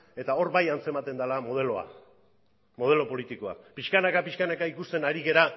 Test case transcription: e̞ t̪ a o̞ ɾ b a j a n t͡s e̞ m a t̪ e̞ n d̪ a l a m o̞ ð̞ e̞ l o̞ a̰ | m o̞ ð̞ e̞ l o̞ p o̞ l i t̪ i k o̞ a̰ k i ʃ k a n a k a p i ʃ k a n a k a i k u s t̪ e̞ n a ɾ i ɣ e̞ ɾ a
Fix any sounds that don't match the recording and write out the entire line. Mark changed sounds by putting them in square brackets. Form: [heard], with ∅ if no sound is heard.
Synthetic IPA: e̞ t̪ a o̞ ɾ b a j a n t͡s e̞ m a t̪ e̞ n d̪ a l a m o̞ ð̞ e̞ l o̞ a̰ | m o̞ ð̞ e̞ l o̞ p o̞ l i t̪ i k o̞ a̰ [p] i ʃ k a n a k a p i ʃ k a n a k a i k u s t̪ e̞ n a ɾ i ɣ e̞ ɾ a

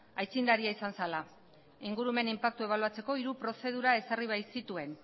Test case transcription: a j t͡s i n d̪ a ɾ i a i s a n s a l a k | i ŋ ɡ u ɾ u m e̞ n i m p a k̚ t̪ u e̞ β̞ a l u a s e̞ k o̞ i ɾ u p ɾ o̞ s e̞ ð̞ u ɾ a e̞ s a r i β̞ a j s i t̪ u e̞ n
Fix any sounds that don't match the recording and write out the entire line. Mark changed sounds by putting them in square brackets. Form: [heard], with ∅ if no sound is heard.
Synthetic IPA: a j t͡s i n d̪ a ɾ i a i s a n s a l a [∅] | i ŋ ɡ u ɾ u m e̞ n i m p a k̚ t̪ u e̞ β̞ a l u a [t͡s] e̞ k o̞ i ɾ u p ɾ o̞ s e̞ ð̞ u ɾ a e̞ s a r i β̞ a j s i t̪ u e̞ n

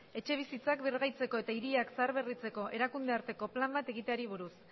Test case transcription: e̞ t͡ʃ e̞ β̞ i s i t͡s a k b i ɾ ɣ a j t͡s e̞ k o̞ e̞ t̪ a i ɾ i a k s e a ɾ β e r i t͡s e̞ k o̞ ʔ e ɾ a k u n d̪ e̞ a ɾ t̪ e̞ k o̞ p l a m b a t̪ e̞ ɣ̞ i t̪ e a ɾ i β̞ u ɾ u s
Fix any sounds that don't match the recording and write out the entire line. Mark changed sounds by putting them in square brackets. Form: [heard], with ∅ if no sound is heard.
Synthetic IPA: e̞ t͡ʃ e̞ β̞ i s i t͡s a k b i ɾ ɣ a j t͡s e̞ k o̞ e̞ t̪ a i ɾ i a k s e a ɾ β e r i t͡s e̞ k o̞ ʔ e ɾ a k u n d̪ e̞ a ɾ t̪ e̞ k o̞ p l a m b a t̪ e̞ ɣ̞ i t̪ e a ɾ i β̞ u ɾ u s

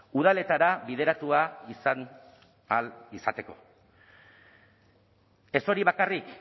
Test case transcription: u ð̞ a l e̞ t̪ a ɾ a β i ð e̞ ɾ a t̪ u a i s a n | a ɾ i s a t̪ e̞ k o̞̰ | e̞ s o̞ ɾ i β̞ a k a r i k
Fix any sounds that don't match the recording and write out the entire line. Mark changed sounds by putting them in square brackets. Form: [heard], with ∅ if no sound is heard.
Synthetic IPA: u ð̞ a l e̞ t̪ a ɾ a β i ð e̞ ɾ a t̪ u a i s a n | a [l] i s a t̪ e̞ k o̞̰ | e̞ s o̞ ɾ i β̞ a k a r i k

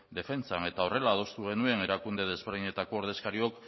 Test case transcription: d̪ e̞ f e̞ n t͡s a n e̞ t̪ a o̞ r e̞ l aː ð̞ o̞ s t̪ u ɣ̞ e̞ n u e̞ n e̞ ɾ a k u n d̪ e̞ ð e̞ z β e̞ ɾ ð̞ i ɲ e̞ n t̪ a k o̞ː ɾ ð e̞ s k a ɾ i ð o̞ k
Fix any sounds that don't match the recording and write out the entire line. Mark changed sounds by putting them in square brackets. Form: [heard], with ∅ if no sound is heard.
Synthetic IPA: d̪ e̞ f e̞ n t͡s a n e̞ t̪ a o̞ r e̞ l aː ð̞ o̞ s t̪ u ɣ̞ e̞ n u e̞ n e̞ ɾ a k u n d̪ e̞ ð e̞ z β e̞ ɾ ð̞ i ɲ e̞ [∅] t̪ a k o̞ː ɾ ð e̞ s k a ɾ i [∅] o̞ k

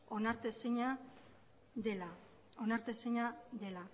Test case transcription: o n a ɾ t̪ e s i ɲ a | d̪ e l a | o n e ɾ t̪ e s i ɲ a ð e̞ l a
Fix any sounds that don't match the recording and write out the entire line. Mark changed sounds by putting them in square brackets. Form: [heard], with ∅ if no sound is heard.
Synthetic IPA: o n a ɾ t̪ e s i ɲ a | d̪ e l a | o n [a] ɾ t̪ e s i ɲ a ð e̞ l a

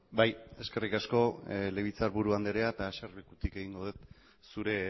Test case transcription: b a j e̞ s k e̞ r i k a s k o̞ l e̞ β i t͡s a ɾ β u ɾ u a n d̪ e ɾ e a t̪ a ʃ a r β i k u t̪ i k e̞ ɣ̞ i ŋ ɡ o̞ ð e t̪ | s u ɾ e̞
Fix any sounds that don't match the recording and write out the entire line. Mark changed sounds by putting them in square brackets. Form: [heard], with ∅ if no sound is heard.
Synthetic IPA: b a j e̞ s k e̞ r i k a s k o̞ l e̞ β i t͡s a ɾ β u ɾ u a n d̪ e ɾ e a t̪ a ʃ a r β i k u t̪ i k e̞ ɣ̞ i ŋ ɡ o̞ ð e t̪ | s u ɾ e̞

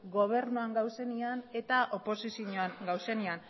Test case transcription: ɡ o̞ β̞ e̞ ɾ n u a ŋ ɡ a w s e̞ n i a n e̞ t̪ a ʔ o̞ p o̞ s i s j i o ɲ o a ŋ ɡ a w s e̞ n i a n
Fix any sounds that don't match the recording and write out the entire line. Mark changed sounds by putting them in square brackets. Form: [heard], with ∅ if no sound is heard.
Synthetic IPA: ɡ o̞ β̞ e̞ ɾ n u a ŋ ɡ a w s e̞ n i a n e̞ t̪ a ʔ o̞ p o̞ s i s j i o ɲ o a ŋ ɡ a w s e̞ n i a n

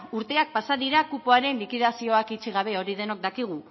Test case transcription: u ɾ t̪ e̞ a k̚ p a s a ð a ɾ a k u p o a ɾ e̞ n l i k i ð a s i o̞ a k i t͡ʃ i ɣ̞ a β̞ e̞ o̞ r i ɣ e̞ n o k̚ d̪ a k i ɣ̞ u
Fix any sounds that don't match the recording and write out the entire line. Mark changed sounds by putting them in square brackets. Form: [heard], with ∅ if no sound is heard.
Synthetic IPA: u ɾ t̪ e̞ a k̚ p a s a ð [i] ɾ a k u p o a ɾ e̞ n l i k i ð a s i o̞ a k i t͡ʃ i ɣ̞ a β̞ e̞ o̞ [ɾ] i [ð] e̞ n o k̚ d̪ a k i ɣ̞ u

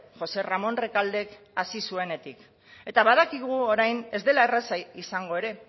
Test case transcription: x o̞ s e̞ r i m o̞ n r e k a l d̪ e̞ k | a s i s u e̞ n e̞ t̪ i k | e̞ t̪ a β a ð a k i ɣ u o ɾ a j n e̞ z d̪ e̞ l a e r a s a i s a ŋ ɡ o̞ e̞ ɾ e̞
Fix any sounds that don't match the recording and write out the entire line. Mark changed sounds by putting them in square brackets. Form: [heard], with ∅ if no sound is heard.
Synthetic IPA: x o̞ s e̞ r [a] m o̞ n r e k a l d̪ e̞ k | a s i s u e̞ n e̞ t̪ i k | e̞ t̪ a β a ð a k i ɣ u o ɾ a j n e̞ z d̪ e̞ l a e r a s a i s a ŋ ɡ o̞ e̞ ɾ e̞

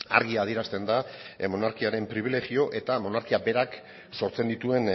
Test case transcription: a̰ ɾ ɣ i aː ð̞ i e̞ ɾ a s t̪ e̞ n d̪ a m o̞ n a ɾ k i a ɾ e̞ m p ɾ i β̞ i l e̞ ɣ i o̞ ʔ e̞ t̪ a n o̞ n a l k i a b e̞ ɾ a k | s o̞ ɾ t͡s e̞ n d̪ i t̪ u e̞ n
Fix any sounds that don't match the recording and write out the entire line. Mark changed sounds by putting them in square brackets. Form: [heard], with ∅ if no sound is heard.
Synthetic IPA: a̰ ɾ ɣ i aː ð̞ i e̞ ɾ a s t̪ e̞ n d̪ a m o̞ n a ɾ k i a ɾ e̞ m p ɾ i β̞ i l e̞ ɣ i o̞ ʔ e̞ t̪ a [m] o̞ n a [ɾ] k i a b e̞ ɾ a k | s o̞ ɾ t͡s e̞ n d̪ i t̪ u e̞ n

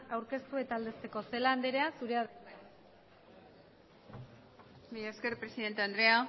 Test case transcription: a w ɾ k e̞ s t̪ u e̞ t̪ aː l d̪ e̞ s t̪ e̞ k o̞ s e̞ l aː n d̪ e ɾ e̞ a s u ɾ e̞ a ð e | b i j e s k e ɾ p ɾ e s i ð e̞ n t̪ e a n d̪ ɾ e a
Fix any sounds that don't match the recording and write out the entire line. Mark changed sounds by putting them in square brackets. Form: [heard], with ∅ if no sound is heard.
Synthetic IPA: a w ɾ k e̞ s t̪ u e̞ t̪ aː l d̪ e̞ s t̪ e̞ k o̞ s e̞ l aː n d̪ e ɾ e̞ a s u ɾ e̞ a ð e | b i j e s k e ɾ p ɾ e s i ð e̞ n t̪ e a n d̪ ɾ e a

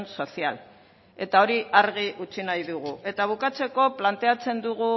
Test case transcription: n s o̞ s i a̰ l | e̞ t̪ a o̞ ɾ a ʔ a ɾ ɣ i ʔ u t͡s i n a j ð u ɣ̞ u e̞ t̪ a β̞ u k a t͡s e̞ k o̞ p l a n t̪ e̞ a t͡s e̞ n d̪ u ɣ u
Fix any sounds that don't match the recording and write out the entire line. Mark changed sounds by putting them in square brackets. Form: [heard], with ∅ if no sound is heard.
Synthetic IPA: n s o̞ s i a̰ l | e̞ t̪ a o̞ ɾ [i] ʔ a ɾ ɣ i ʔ u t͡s i n a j ð u ɣ̞ u e̞ t̪ a β̞ u k a t͡s e̞ k o̞ p l a n t̪ e̞ a t͡s e̞ n d̪ u ɣ u

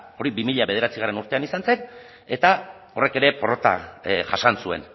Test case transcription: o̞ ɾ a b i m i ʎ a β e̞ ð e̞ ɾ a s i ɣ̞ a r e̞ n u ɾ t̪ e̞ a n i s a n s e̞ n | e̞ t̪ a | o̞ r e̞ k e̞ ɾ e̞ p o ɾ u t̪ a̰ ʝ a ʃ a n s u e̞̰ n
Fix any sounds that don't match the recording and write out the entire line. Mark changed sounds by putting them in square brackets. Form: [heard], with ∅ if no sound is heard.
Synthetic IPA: o̞ ɾ [i] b i m i ʎ a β e̞ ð e̞ ɾ a [t͡s] i ɣ̞ a r e̞ n u ɾ t̪ e̞ a n i s a n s e̞ n | e̞ t̪ a | o̞ r e̞ k e̞ ɾ e̞ p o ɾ [o] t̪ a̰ ʝ a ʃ a n s u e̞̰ n

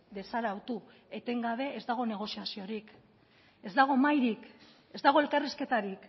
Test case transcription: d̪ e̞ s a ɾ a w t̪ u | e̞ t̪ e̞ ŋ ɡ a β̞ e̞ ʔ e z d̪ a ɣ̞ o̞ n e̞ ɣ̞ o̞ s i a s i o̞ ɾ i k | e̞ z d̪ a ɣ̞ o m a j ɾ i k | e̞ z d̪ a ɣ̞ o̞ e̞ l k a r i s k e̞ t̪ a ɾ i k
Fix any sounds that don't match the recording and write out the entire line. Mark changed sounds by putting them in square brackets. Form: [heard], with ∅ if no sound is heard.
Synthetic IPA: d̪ e̞ s a ɾ a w t̪ u | e̞ t̪ e̞ ŋ ɡ a β̞ e̞ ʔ e z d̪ a ɣ̞ o̞ n e̞ ɣ̞ o̞ s i a s i o̞ ɾ i k | e̞ z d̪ a ɣ̞ o m a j ɾ i k | e̞ z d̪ a ɣ̞ o̞ e̞ l k a r i s k e̞ t̪ a ɾ i k

